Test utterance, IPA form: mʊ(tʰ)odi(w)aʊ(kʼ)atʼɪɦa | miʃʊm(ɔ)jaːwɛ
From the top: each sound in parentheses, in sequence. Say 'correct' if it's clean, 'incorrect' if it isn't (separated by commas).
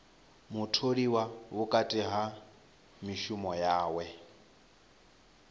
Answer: correct, correct, correct, correct